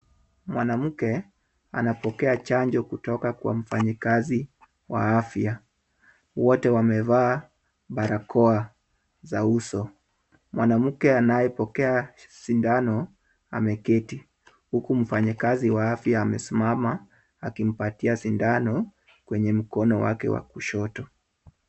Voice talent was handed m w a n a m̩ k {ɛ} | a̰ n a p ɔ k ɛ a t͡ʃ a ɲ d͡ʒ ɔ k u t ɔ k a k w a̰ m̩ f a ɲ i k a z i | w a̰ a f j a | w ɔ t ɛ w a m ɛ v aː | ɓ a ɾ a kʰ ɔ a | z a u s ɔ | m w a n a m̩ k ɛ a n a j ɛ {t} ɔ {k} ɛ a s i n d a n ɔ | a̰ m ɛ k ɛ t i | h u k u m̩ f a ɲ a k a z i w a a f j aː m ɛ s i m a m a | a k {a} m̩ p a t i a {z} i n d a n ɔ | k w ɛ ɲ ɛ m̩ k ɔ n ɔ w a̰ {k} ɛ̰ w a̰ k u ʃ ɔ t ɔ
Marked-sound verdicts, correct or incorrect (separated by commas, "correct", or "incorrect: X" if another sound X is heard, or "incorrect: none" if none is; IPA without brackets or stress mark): correct, incorrect: p, correct, incorrect: i, incorrect: s, correct